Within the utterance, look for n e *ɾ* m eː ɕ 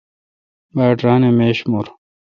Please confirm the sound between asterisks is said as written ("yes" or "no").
no